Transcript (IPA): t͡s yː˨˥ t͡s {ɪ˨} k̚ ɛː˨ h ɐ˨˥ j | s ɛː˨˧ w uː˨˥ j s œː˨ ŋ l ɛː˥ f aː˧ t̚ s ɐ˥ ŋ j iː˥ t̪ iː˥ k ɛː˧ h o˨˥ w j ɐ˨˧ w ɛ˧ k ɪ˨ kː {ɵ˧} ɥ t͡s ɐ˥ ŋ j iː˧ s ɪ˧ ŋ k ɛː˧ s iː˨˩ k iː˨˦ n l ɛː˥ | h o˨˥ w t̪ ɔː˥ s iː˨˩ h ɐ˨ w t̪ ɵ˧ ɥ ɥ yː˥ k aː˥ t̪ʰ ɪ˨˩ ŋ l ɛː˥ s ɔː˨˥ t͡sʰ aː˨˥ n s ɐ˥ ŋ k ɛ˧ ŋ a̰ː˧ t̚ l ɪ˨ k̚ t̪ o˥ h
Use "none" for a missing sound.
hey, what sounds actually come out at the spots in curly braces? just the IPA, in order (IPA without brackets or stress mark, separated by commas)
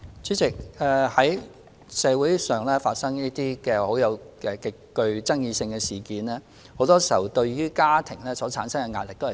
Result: ɪ˨, ɵ˧